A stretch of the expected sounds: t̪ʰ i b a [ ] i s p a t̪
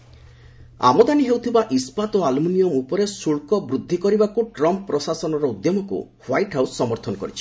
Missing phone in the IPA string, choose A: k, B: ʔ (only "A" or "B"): B